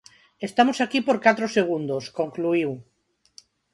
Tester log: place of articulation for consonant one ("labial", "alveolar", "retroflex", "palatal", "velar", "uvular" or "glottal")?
alveolar